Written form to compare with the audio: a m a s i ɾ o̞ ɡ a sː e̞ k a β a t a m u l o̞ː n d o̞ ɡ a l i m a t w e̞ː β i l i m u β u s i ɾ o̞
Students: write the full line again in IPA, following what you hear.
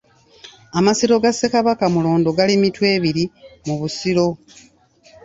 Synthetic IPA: a m a s i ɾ o̞ ɡ a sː e̞ k a β a k a m u l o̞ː n d o̞ ɡ a l i m i t w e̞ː β i ɾ i m u β u s i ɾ o̞